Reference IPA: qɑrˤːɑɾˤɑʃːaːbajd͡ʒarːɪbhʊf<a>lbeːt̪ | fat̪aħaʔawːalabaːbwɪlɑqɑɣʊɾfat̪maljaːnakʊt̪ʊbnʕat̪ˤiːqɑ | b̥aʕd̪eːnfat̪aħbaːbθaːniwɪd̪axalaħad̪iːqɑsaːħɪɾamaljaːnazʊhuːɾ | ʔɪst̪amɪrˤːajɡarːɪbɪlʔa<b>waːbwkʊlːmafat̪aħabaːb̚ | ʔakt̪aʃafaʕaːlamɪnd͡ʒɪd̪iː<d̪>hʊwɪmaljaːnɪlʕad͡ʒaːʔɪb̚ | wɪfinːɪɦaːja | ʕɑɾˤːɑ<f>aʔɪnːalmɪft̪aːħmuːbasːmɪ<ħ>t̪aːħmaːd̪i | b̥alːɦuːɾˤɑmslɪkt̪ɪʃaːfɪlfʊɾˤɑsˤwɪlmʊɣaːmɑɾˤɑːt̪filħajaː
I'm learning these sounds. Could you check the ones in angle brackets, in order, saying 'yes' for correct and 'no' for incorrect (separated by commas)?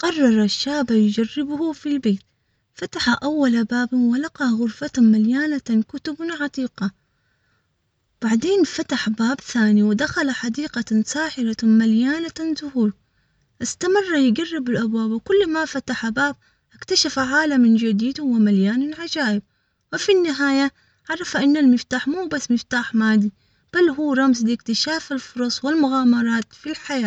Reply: no, yes, yes, yes, no